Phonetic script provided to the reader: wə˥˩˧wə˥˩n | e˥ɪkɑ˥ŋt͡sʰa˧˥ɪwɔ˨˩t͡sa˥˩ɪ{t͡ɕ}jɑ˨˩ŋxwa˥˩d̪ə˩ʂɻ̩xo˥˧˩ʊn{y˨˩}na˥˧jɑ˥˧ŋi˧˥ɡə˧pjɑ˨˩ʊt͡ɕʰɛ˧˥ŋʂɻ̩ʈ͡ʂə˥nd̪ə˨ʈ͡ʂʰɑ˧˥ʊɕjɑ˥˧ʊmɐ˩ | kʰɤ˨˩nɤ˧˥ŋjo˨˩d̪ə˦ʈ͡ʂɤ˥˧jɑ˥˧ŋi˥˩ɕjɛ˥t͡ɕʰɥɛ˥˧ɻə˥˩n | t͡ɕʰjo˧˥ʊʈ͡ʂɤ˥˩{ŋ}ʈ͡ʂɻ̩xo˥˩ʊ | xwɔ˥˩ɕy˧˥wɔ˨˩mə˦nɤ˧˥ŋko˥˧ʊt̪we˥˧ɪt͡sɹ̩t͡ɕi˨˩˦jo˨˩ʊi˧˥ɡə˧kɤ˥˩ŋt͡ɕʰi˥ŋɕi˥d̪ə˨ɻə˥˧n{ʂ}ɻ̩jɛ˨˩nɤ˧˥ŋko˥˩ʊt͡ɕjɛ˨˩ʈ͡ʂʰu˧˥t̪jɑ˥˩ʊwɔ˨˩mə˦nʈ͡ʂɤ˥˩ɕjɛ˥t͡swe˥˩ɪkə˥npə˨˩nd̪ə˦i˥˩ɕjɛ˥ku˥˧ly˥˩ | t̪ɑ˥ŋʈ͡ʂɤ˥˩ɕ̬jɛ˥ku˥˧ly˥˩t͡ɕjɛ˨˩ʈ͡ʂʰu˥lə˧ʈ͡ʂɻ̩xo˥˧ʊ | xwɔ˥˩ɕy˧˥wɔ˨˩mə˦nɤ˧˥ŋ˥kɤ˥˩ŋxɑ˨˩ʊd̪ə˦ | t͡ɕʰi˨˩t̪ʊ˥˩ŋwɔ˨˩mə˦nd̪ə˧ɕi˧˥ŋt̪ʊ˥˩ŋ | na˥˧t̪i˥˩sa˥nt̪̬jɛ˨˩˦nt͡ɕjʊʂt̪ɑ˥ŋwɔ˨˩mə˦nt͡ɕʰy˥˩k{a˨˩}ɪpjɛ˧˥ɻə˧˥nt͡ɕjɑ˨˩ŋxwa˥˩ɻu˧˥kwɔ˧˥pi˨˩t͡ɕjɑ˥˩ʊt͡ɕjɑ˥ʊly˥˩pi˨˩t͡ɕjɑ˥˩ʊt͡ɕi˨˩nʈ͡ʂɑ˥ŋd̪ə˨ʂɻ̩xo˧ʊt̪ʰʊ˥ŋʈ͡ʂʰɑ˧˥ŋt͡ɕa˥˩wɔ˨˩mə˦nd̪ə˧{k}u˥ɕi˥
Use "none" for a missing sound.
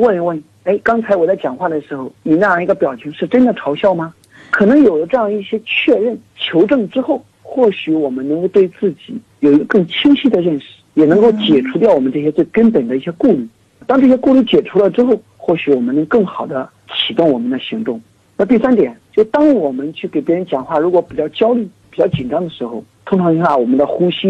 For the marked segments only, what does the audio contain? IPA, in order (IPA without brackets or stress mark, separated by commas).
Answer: t͡ɕ, i˨˩, ŋ, ʂ, e˨˩, x